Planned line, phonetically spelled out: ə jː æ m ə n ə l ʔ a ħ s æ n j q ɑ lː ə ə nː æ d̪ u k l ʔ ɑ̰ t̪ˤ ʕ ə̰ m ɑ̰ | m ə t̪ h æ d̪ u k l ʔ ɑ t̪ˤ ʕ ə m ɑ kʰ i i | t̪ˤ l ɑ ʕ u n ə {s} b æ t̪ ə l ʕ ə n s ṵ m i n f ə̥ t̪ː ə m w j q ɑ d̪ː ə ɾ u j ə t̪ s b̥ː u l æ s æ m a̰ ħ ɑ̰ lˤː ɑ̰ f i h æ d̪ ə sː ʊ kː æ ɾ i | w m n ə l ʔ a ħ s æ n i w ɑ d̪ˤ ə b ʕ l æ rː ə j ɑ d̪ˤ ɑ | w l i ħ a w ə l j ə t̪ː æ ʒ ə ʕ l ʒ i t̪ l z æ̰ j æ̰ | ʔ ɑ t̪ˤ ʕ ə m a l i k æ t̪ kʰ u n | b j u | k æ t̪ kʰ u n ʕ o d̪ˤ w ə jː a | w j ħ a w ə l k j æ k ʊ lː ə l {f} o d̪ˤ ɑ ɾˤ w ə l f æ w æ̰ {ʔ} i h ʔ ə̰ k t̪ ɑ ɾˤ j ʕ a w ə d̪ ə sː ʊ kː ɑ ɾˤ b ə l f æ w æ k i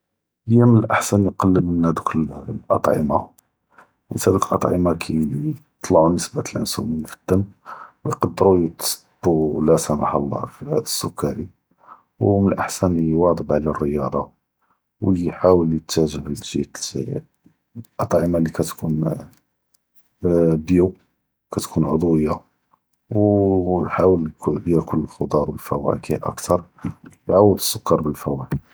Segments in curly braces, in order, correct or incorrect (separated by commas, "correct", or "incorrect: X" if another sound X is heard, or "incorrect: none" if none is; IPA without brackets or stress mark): correct, incorrect: x, incorrect: k